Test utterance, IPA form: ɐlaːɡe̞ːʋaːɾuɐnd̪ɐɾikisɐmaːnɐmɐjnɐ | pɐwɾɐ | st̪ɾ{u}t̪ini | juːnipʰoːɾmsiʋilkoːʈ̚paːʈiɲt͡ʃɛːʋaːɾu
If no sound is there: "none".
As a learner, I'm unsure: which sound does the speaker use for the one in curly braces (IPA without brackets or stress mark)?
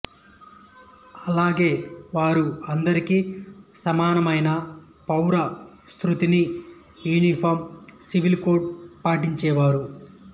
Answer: u